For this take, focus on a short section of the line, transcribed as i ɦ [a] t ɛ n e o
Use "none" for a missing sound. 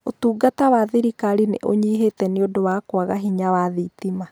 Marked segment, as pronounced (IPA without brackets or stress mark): e